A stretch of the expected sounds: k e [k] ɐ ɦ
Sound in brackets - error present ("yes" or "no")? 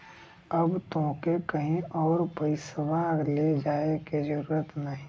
no